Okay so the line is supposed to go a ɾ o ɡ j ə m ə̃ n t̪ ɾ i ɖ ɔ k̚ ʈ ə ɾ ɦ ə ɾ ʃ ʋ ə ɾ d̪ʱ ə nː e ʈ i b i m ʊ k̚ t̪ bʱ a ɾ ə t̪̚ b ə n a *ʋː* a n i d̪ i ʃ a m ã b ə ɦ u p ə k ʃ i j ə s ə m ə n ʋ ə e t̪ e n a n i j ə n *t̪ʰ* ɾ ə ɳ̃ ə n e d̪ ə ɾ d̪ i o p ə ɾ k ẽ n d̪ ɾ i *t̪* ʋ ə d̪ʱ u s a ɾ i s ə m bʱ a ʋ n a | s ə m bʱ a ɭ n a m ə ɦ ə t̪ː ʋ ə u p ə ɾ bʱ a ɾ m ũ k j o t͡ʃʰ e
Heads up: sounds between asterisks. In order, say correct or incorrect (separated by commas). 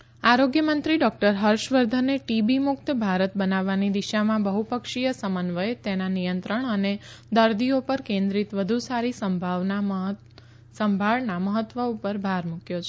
correct, incorrect, correct